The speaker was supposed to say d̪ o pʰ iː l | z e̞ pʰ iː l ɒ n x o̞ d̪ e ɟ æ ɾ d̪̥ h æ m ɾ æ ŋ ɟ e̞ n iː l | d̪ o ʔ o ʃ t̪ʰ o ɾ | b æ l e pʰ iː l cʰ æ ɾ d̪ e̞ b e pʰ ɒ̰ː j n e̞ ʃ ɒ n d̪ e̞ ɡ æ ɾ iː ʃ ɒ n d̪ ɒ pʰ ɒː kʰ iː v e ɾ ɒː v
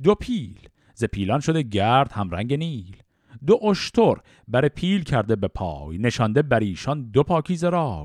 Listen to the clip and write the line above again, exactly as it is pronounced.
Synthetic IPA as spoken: d̪ o pʰ iː l | z e̞ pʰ iː l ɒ n ʃ o̞ d̪ e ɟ æ ɾ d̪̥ h æ m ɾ æ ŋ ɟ e̞ n iː l | d̪ o ʔ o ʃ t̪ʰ o ɾ | b æ ɾ e pʰ iː l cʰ æ ɾ d̪ e̞ b e pʰ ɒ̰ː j n e̞ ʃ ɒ n d̪ e̞ b æ ɾ iː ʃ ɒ n d̪ o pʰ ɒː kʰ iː z e ɾ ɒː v